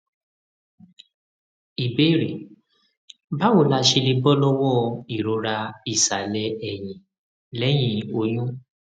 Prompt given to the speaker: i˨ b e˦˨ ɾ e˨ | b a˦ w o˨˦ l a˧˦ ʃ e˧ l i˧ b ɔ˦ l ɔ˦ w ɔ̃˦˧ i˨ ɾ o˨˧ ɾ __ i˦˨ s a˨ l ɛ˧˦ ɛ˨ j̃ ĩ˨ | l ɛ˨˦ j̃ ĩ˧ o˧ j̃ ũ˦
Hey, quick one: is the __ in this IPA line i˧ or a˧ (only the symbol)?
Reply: a˧